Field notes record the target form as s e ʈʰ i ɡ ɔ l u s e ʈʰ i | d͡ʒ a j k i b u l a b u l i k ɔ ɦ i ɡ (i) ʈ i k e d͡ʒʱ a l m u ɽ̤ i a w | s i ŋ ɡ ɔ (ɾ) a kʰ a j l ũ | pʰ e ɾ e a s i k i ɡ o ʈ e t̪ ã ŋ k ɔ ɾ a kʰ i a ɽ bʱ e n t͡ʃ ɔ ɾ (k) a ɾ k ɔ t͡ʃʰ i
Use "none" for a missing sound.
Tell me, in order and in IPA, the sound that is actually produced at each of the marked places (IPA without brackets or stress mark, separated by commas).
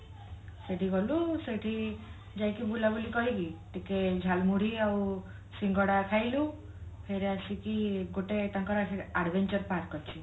i, ɽ, p